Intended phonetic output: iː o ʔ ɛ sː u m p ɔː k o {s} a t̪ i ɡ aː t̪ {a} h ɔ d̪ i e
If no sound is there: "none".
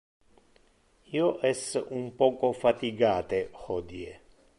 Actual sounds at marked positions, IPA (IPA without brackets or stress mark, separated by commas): f, e